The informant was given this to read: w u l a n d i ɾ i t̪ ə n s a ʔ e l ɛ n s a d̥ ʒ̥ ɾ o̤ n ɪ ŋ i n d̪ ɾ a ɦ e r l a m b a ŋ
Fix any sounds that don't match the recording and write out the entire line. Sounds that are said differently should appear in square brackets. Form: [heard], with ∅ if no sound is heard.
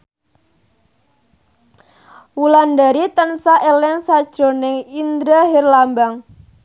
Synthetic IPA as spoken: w u l a n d [a] ɾ i t̪ ə n s a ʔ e l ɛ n s a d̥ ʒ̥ ɾ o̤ n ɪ ŋ i n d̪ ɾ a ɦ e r l a m b a ŋ